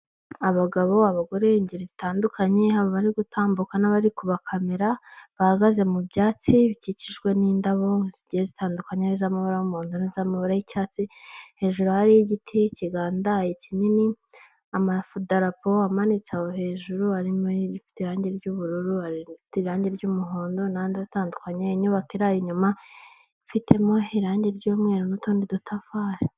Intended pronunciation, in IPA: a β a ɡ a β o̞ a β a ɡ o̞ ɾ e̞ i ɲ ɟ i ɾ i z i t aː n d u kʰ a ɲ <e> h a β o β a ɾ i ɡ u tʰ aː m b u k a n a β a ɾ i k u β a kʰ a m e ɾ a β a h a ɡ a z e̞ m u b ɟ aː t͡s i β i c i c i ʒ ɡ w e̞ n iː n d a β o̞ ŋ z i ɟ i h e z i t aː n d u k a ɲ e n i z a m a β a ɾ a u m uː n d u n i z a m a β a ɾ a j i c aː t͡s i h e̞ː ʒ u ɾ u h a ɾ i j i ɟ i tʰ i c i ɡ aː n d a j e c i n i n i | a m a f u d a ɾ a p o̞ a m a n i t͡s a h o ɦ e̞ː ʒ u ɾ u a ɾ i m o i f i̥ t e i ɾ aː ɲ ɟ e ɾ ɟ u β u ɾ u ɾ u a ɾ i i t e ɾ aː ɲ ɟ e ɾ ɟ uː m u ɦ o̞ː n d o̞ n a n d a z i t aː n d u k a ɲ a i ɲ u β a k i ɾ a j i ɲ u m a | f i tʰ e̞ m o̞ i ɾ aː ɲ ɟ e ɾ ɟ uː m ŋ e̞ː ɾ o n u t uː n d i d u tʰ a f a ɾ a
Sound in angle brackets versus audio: correct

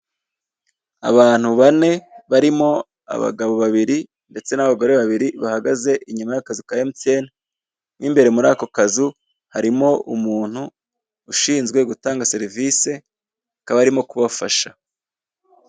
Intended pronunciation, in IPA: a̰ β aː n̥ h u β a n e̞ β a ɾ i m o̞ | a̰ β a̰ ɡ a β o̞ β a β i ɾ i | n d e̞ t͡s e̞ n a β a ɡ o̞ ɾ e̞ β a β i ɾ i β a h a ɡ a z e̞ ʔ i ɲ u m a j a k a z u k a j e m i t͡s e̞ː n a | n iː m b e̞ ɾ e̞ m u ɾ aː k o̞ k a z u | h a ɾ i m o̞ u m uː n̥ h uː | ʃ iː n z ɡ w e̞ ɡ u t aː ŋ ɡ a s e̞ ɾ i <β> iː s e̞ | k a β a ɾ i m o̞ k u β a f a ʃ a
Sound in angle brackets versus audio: incorrect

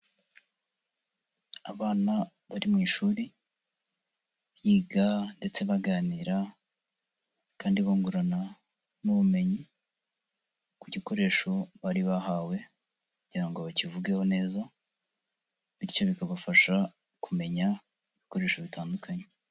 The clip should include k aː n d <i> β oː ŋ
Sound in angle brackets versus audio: correct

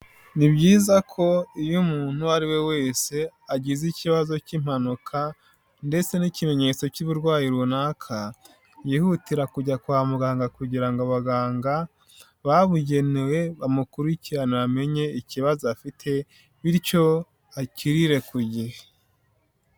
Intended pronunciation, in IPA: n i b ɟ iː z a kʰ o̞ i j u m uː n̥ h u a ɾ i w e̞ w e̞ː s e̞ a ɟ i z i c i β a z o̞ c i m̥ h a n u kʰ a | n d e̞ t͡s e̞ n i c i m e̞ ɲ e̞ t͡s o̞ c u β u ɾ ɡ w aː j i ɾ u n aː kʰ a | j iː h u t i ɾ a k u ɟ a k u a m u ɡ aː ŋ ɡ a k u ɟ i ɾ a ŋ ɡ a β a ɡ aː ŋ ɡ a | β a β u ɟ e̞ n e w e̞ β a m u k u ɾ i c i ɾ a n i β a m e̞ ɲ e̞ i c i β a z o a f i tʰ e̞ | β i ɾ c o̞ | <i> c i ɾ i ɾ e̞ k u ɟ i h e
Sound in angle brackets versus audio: incorrect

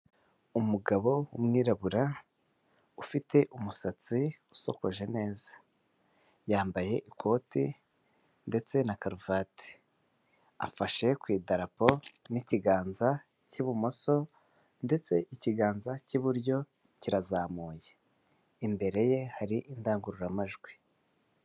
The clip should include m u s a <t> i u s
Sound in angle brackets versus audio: incorrect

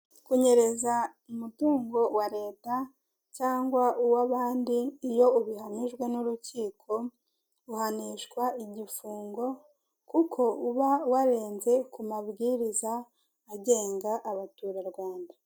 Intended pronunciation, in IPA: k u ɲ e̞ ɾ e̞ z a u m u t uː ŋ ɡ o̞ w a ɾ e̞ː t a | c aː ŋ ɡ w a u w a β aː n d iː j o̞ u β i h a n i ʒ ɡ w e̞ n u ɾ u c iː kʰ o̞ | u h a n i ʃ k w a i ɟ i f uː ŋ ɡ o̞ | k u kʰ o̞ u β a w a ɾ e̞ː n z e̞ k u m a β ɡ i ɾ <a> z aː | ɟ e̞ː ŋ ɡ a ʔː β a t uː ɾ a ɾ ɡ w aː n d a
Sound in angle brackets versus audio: incorrect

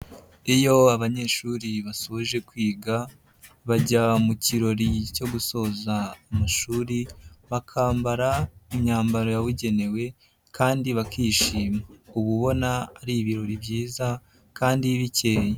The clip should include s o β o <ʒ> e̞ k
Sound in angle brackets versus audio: correct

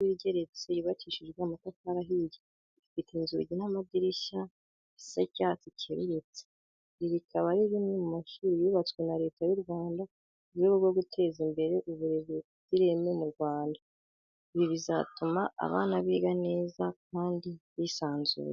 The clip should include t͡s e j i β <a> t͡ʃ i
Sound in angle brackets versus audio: correct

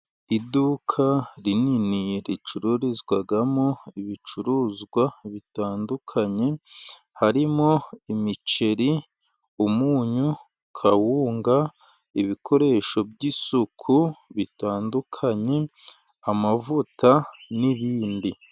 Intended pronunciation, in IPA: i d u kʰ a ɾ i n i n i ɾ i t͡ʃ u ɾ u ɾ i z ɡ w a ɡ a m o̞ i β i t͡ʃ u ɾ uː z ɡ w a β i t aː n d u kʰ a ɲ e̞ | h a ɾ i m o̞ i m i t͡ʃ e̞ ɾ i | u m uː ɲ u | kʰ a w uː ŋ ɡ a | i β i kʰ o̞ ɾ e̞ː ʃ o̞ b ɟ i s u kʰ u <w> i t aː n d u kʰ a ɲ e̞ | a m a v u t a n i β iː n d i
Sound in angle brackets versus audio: incorrect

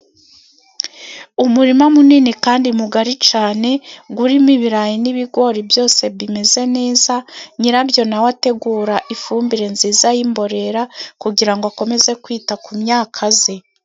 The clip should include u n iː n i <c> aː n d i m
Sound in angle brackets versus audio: incorrect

